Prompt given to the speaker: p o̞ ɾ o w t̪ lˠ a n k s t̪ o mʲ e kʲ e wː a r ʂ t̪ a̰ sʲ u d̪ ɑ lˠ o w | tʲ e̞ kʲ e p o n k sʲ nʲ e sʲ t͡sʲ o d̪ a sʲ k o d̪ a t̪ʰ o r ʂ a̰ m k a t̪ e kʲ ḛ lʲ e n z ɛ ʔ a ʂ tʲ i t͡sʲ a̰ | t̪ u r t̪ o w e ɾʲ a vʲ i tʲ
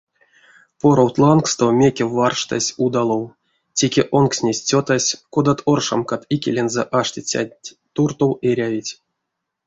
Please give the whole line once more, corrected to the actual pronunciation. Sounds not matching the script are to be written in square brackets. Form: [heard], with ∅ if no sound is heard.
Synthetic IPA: p o̞ ɾ o w t̪ lˠ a n k s t̪ o mʲ e kʲ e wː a r ʂ t̪ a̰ sʲ u d̪ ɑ lˠ o w | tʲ e̞ kʲ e [ʔ] o n k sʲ nʲ e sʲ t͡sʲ o [t̪] a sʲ k o d̪ a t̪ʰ o r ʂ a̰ m k a t̪ [i] kʲ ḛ lʲ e n z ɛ ʔ a ʂ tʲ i t͡sʲ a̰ | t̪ u r t̪ o w e ɾʲ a vʲ i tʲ